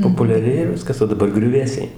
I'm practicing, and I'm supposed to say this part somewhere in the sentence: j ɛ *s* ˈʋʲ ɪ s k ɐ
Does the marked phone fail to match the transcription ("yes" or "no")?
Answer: yes